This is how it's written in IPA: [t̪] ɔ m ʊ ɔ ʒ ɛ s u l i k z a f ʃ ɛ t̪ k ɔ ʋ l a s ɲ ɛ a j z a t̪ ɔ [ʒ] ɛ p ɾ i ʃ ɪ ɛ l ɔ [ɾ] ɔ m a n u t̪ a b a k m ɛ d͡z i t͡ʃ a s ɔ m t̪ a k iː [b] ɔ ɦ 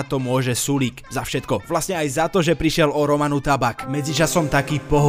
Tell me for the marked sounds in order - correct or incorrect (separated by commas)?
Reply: correct, correct, correct, incorrect